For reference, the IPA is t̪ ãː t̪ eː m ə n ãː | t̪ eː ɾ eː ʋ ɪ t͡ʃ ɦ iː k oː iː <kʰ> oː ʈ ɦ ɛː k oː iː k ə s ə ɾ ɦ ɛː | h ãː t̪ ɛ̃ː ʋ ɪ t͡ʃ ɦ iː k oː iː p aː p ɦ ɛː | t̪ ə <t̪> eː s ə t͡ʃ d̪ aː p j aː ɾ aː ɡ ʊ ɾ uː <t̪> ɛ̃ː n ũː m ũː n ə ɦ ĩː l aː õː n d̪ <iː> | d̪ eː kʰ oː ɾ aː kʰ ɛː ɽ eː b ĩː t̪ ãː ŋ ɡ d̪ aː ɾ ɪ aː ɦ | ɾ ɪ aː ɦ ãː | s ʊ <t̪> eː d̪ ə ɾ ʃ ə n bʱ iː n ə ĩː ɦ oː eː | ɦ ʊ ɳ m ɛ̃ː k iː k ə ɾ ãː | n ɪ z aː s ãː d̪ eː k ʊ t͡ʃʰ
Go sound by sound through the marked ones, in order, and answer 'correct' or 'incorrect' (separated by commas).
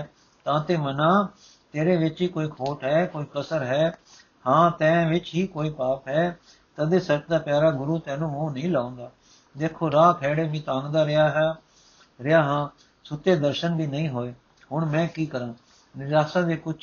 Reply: correct, incorrect, correct, incorrect, correct